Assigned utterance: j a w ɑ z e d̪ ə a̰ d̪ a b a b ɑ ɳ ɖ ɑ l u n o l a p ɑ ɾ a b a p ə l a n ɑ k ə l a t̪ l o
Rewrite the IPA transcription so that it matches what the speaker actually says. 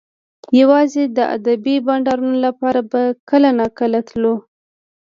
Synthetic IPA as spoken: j a w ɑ z e d̪ ə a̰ d̪ a b i b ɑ ɳ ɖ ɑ ɾ u n o l a p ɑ ɾ a b a k ə l a n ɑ k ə l a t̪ l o